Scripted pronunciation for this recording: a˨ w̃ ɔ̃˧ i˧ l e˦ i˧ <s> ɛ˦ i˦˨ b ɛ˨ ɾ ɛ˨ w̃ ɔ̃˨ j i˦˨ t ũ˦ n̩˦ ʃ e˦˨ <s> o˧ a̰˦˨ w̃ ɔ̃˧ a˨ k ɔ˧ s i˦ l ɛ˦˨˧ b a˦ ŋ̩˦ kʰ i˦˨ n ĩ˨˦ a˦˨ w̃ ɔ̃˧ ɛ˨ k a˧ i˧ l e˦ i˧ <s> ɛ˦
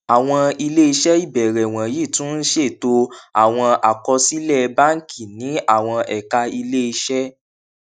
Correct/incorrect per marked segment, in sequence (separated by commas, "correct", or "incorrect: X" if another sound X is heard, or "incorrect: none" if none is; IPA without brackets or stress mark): incorrect: ʃ, incorrect: t, incorrect: ʃ